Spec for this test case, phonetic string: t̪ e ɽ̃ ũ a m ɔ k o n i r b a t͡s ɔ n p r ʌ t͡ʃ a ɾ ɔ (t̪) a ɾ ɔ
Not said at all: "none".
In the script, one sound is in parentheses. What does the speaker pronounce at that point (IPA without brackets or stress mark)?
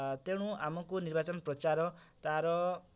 t̪